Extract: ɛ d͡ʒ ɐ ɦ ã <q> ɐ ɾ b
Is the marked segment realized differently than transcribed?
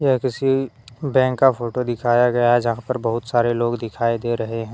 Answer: yes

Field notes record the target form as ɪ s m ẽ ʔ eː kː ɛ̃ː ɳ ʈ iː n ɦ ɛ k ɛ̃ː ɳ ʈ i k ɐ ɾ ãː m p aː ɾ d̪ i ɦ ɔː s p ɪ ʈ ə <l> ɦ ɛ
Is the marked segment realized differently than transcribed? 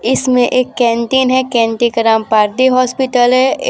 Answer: no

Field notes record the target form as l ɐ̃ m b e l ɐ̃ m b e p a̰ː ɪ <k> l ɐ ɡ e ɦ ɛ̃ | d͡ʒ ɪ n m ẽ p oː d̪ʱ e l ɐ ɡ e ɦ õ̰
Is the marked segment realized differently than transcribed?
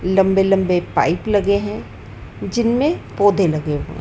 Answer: yes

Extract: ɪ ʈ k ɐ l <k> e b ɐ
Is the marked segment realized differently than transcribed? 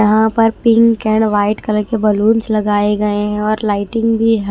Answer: no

